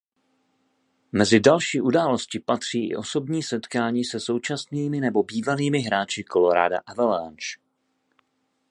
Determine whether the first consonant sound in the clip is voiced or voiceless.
voiced